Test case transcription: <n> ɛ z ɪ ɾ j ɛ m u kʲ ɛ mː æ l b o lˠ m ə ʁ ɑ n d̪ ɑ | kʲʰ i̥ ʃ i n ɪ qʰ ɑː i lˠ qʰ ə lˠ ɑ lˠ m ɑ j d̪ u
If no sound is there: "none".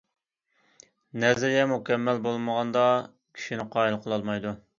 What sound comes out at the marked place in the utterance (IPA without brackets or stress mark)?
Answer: n